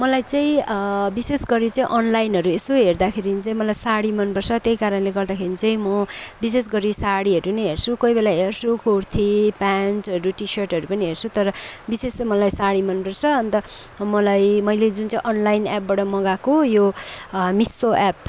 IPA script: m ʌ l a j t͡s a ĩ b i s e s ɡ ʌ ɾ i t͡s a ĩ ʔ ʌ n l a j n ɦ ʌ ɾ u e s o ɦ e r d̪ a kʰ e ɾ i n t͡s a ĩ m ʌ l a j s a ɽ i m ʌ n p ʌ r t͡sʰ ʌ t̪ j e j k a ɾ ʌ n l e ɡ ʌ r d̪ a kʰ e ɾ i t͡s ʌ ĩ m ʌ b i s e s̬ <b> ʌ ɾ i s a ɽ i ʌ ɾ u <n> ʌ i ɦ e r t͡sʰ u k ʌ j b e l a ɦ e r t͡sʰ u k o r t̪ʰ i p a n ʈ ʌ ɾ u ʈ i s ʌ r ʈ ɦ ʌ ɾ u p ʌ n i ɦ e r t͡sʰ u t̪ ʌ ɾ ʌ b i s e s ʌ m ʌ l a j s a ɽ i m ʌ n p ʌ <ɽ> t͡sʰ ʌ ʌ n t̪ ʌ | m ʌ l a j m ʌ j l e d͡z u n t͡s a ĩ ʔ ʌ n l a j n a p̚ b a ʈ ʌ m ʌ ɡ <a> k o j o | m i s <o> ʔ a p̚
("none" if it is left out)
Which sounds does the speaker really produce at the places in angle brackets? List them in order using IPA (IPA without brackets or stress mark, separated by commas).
ɡ, n, r, a, o